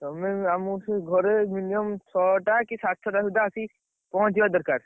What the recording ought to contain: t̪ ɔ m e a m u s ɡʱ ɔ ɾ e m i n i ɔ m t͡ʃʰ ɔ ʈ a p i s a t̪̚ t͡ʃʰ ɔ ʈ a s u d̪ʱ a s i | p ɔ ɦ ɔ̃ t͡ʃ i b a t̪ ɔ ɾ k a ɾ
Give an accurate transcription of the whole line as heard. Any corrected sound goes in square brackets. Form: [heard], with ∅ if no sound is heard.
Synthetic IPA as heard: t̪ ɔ m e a m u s ɡʱ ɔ ɾ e m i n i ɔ m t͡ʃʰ ɔ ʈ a [k] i s a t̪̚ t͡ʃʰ ɔ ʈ a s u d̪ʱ a s i | p ɔ ɦ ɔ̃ t͡ʃ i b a [d̪] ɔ ɾ k a ɾ

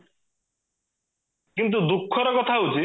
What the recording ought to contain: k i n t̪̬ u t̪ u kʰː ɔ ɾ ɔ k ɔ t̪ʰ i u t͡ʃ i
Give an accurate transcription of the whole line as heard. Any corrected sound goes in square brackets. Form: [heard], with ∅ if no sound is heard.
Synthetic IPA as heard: k i n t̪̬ u [d̪] u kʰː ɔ ɾ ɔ k ɔ t̪ʰ [a] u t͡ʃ i

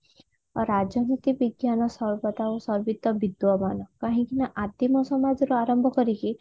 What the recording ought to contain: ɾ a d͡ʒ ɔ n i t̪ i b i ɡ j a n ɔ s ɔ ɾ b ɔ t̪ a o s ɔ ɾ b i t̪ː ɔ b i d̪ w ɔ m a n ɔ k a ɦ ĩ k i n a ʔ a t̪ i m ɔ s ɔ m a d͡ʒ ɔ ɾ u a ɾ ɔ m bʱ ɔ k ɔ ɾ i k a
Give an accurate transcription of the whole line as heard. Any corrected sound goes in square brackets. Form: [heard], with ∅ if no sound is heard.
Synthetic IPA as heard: ɾ a d͡ʒ ɔ n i t̪ i b i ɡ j a n ɔ s ɔ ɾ b ɔ t̪ a o s ɔ ɾ b i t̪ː ɔ b i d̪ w ɔ m a n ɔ k a ɦ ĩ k i n a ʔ a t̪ i m ɔ s ɔ m a d͡ʒ ɔ ɾ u a ɾ ɔ m bʱ ɔ k ɔ ɾ i k [i]

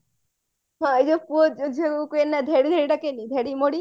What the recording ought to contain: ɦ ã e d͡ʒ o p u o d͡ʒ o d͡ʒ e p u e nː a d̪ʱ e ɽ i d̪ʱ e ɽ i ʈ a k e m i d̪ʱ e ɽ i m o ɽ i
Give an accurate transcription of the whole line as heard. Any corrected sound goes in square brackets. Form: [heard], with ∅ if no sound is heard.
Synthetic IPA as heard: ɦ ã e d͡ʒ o p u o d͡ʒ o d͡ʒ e [k] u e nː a d̪ʱ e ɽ i d̪ʱ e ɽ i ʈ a k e [n] i d̪ʱ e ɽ i m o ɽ i

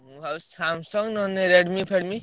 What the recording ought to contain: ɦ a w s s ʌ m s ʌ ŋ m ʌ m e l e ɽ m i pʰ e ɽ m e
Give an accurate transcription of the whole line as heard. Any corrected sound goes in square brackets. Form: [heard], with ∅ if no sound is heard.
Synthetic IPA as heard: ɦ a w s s [a] m s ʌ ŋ [n] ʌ [n] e [ɾ] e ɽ m i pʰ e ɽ m [i]

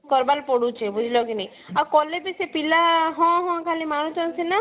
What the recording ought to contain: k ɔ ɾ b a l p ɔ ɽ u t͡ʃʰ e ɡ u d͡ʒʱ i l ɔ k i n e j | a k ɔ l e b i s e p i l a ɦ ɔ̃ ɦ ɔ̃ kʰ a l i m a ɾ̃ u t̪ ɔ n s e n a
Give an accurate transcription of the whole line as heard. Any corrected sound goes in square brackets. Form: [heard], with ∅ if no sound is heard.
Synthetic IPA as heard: k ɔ ɾ b a l p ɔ ɽ u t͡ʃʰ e [b] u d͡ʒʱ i l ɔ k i n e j | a k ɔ l e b i s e p i l a ɦ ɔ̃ ɦ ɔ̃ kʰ a l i m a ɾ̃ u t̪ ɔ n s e n a

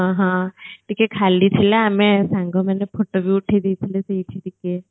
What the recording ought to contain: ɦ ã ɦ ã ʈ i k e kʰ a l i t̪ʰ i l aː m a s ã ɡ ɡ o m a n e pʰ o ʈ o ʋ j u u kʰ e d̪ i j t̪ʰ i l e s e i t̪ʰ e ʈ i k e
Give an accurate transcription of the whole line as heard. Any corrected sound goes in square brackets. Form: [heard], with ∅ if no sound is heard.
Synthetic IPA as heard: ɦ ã ɦ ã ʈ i k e kʰ a l i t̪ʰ i l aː m [e] s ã [ŋ] ɡ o m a n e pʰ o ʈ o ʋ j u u [ʈʰ] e d̪ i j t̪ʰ i l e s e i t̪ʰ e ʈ i k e

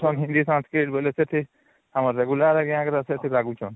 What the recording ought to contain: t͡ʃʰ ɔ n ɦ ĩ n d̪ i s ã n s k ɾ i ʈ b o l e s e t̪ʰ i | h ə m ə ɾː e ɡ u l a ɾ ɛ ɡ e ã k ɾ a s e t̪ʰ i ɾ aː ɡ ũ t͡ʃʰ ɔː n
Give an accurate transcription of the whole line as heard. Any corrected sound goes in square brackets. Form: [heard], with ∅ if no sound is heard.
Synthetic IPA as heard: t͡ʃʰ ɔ n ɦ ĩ n d̪ i s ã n s k ɾ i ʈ b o l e s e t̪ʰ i | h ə m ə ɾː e ɡ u l a ɾ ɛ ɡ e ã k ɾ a s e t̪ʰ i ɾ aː ɡ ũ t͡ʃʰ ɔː n

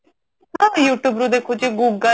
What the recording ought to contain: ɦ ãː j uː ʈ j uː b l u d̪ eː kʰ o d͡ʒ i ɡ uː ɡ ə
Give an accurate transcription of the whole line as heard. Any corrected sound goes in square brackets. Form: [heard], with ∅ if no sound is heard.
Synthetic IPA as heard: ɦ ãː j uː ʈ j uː b [ɾ] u d̪ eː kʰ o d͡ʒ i ɡ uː ɡ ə

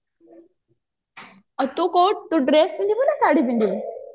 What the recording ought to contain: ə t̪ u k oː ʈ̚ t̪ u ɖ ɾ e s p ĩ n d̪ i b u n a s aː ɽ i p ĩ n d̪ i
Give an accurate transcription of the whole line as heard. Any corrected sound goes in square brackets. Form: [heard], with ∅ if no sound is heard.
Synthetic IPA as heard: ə t̪ u k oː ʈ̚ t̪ u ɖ ɾ e s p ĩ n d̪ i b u n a s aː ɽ i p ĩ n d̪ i

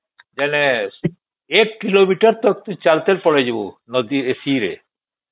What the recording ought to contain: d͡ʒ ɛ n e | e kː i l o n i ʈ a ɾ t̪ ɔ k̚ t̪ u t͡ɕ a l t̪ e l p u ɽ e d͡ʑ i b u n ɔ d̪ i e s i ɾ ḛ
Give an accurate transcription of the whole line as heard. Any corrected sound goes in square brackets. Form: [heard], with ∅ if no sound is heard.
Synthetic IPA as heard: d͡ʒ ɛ n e | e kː i l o [m] i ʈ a ɾ t̪ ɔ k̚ t̪ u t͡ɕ a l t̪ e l p [ɔ] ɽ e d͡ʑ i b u n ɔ d̪ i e s i ɾ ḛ

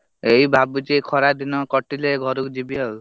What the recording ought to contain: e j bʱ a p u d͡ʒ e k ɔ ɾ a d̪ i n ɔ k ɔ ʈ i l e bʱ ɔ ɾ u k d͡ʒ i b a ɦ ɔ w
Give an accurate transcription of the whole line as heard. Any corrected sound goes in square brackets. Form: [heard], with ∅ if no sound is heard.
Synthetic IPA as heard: e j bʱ a [b] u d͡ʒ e [kʰ] ɔ ɾ a d̪ i n ɔ k ɔ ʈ i l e [ɡʱ] ɔ ɾ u k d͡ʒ i b [i] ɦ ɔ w

